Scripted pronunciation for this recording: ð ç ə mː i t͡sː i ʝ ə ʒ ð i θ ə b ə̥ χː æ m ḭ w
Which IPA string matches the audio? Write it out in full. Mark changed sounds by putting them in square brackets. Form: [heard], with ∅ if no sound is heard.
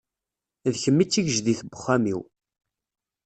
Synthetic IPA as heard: ð ç ə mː i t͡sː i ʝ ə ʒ ð i θ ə b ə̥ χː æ m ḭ w